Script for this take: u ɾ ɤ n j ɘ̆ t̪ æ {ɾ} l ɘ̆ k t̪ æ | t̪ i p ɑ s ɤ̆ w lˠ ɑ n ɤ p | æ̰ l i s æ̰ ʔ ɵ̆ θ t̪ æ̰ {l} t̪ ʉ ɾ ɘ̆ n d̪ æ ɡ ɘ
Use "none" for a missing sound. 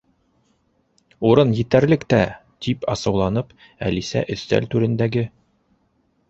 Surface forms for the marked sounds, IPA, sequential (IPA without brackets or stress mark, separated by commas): ɾ, l